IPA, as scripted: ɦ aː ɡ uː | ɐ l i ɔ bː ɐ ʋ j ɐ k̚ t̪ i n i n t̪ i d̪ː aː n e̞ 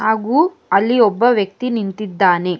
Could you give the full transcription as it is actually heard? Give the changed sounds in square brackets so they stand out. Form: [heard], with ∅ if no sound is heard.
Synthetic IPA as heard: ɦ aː ɡ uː | ɐ [lː] i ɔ bː ɐ ʋ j ɐ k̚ t̪ i n i n t̪ i d̪ː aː n e̞